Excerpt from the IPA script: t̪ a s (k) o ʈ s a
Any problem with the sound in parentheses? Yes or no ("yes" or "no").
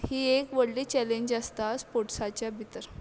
yes